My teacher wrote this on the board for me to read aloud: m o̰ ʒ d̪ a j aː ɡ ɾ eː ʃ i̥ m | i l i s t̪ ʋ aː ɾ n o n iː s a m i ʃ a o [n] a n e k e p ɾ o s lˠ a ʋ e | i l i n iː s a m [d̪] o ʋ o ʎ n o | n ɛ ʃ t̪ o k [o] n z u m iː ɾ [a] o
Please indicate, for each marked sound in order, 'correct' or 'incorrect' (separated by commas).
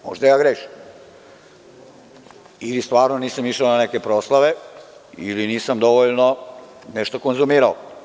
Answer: correct, correct, correct, correct